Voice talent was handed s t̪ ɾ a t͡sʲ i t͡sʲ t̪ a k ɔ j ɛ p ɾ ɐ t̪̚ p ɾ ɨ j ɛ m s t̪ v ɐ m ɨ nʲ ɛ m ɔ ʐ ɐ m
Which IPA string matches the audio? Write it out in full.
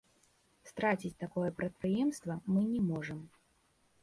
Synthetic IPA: s t̪ ɾ a t͡sʲ i t͡sʲ t̪ a k ɔ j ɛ p ɾ ɐ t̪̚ p ɾ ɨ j ɛ m s t̪ v ɐ m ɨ nʲ ɛ m ɔ ʐ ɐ m